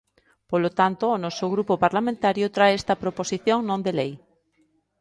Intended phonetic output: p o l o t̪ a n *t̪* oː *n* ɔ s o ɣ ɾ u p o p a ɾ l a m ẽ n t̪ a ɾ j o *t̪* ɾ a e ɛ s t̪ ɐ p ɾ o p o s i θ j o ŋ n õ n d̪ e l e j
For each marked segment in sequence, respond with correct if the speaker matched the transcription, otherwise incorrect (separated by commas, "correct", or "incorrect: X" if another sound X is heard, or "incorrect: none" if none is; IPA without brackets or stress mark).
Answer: correct, correct, correct